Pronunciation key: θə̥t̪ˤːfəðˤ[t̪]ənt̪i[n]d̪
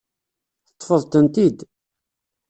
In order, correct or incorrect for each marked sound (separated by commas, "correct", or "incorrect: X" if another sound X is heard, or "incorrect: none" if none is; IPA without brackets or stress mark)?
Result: correct, incorrect: none